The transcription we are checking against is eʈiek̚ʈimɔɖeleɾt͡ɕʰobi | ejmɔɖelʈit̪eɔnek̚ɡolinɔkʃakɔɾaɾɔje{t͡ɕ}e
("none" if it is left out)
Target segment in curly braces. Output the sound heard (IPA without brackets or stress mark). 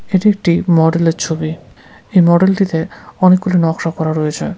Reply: t͡ɕʰ